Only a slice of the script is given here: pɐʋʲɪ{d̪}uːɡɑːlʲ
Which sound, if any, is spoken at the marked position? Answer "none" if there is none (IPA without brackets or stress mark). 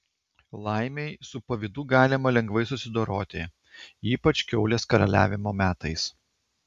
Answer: d̪